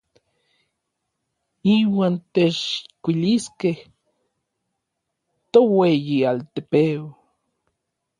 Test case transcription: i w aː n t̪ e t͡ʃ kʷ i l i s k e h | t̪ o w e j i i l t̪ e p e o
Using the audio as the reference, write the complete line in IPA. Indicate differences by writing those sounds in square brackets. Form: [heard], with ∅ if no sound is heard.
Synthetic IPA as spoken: i w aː n t̪ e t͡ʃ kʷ i l i s k e h | t̪ o w e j i [a] l t̪ e p e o